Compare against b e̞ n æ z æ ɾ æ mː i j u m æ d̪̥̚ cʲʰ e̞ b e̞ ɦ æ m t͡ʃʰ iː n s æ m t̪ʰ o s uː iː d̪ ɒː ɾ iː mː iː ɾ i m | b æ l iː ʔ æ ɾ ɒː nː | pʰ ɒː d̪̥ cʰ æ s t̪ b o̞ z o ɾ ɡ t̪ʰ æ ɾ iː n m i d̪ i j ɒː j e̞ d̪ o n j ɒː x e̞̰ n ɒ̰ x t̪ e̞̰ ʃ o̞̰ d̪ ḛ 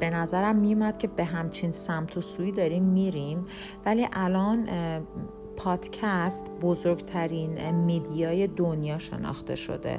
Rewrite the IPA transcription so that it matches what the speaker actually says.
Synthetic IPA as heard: b e̞ n æ z æ ɾ æ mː i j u m æ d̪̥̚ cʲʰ e̞ b e̞ ɦ æ m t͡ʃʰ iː n s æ m t̪ʰ o s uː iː d̪ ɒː ɾ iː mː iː ɾ i m | v æ l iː ʔ æ l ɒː n | pʰ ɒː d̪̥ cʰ æ s t̪ b o̞ z o ɾ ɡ t̪ʰ æ ɾ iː n m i d̪ i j ɒː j e̞ d̪ o n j ɒː ʃ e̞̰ n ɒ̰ x t̪ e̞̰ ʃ o̞̰ d̪ ḛ